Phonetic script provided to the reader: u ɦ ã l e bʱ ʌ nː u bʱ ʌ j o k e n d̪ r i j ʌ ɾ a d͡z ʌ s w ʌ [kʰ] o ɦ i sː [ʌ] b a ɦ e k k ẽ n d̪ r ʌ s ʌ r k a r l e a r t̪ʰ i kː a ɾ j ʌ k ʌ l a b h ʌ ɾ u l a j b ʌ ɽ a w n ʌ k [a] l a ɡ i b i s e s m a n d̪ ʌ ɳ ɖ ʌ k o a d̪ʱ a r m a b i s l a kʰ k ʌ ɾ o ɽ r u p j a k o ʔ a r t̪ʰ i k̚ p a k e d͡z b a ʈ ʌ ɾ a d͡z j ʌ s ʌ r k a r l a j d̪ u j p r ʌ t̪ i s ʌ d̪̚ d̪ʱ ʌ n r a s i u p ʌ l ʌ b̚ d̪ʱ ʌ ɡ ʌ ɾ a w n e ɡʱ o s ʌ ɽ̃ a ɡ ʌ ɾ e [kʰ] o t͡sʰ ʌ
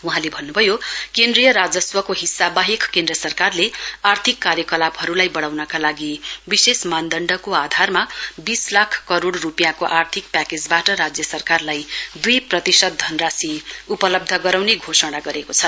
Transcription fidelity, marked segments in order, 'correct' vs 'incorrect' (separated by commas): incorrect, incorrect, correct, incorrect